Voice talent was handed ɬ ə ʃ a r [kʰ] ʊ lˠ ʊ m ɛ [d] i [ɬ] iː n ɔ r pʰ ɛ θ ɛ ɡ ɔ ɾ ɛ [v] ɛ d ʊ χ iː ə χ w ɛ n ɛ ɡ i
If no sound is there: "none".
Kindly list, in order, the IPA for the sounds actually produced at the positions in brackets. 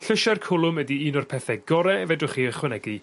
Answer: kʰ, d, none, v

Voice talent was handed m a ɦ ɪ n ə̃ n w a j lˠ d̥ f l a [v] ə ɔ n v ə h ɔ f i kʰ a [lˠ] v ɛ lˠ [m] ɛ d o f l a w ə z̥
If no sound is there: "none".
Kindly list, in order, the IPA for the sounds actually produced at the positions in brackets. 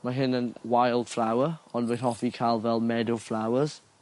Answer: w, lˠ, m

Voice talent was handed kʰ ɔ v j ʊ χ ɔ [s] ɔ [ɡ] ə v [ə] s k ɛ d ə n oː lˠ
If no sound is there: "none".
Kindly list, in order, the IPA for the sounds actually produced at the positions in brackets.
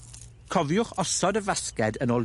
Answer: s, d, a

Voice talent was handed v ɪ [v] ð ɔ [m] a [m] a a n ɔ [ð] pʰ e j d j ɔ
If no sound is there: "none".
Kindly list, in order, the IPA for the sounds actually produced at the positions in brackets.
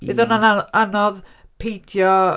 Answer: none, n, n, ð

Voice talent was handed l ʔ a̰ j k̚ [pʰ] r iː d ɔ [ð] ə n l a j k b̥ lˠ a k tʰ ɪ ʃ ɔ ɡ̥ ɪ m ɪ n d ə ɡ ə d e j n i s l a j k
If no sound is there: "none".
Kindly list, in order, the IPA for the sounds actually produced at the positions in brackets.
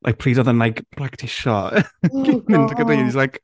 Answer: pʰ, ð

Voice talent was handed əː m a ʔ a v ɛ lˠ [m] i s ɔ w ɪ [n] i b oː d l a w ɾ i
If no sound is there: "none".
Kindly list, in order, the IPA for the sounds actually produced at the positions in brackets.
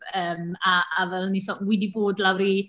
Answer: n, d

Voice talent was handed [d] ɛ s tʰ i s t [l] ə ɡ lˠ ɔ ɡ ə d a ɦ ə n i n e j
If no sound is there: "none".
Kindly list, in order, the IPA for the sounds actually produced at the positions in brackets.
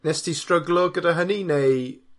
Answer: n, r

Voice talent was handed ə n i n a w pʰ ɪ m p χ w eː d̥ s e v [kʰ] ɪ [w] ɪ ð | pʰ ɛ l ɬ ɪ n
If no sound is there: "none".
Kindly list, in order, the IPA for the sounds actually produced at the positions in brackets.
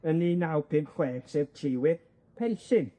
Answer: tʰ, w

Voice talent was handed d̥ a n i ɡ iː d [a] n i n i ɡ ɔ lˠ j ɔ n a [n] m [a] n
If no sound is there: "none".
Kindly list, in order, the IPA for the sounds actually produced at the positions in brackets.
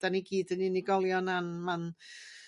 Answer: ə, n, a

